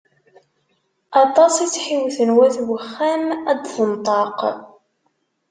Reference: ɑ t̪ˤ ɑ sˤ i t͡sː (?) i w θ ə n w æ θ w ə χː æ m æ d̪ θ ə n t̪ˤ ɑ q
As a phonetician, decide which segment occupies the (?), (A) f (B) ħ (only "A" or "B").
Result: B